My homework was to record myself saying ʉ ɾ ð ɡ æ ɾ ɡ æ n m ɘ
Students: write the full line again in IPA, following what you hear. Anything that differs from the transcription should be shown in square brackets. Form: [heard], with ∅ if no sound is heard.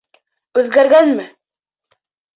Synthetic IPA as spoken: ʉ [∅] ð ɡ æ ɾ ɡ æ n m ɘ